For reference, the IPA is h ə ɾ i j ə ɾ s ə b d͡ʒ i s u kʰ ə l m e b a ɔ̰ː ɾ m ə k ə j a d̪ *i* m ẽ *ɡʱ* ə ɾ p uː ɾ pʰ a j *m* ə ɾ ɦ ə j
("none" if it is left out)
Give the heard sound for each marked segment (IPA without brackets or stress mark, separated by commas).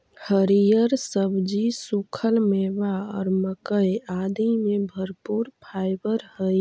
i, bʱ, b